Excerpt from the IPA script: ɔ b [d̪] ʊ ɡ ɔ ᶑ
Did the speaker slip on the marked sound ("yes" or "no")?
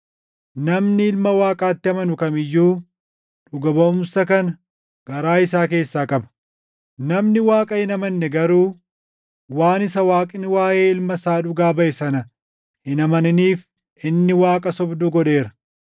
no